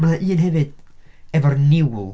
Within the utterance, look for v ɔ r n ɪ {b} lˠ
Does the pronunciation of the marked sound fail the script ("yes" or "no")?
yes